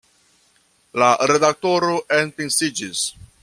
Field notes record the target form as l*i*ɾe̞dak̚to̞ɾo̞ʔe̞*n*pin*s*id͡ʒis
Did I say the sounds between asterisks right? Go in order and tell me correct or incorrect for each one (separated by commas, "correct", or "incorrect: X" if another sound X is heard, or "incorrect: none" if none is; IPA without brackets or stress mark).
incorrect: a, correct, correct